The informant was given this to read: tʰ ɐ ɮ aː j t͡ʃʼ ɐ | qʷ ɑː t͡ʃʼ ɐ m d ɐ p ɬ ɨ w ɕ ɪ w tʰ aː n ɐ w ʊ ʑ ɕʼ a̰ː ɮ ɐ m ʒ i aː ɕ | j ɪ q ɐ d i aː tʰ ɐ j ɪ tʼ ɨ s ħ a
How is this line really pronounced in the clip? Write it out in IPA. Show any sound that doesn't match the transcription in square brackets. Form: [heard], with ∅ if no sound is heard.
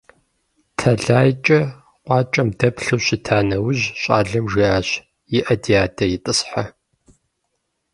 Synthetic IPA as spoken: tʰ ɐ ɮ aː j t͡ʃʼ ɐ | qʷ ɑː t͡ʃʼ ɐ m d ɐ p ɬ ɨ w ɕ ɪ [∅] tʰ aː n ɐ w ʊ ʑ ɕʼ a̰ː ɮ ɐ m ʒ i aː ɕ | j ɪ [ʔ] ɐ d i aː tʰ ɐ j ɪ tʼ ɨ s ħ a